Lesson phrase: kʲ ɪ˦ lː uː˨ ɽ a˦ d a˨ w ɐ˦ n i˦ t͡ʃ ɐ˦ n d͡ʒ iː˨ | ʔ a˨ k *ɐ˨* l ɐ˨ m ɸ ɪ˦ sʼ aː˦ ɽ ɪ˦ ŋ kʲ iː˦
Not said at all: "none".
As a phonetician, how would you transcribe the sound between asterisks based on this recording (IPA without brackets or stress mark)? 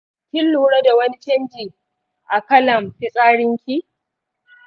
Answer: ɐ˦